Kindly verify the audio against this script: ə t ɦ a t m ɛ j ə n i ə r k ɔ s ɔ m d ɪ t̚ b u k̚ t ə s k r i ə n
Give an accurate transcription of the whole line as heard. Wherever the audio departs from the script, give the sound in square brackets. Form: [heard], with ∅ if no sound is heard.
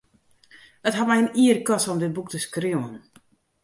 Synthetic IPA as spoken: ə t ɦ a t m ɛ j ə n i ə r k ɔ s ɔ m d ɪ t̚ b u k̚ t ə s k r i ə n